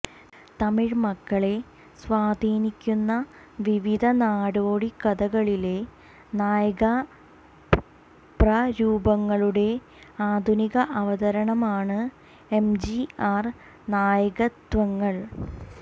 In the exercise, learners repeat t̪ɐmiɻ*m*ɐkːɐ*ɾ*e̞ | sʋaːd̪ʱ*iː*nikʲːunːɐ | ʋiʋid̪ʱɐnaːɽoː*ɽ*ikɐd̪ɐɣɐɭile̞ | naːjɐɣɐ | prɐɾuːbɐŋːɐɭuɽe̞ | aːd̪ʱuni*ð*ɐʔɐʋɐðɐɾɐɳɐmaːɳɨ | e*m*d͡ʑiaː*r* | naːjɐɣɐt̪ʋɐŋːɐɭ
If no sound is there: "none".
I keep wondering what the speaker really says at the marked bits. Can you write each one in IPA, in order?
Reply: m, ɭ, iː, ɽ, ɣ, m, r

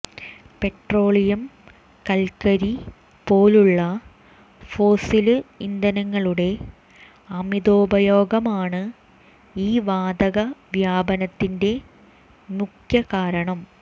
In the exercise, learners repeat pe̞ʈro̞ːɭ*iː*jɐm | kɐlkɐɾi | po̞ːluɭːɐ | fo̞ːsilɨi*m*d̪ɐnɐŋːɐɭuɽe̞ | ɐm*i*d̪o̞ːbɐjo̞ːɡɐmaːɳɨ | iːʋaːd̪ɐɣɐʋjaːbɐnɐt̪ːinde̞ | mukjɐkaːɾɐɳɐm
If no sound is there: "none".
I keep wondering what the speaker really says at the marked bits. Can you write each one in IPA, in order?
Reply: i, n, i

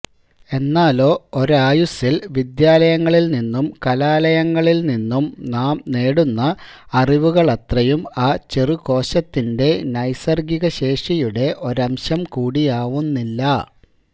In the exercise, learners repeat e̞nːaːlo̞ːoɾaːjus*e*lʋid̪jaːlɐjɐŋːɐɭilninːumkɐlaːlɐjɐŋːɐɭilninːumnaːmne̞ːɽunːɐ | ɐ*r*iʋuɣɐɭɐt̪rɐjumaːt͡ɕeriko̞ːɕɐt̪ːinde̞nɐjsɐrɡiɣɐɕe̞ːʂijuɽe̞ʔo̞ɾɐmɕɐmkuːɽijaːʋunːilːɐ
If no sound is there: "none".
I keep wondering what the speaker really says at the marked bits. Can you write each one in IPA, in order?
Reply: i, r

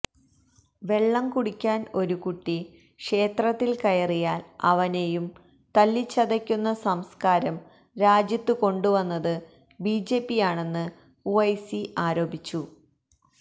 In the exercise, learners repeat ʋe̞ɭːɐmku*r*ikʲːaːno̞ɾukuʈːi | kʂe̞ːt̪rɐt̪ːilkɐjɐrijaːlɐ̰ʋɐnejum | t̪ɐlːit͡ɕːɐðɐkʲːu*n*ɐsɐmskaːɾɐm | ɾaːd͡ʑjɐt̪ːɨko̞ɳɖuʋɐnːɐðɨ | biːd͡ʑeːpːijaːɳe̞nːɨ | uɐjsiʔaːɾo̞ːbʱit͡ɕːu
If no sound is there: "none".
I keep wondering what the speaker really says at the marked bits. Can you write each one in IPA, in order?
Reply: ɽ, nː

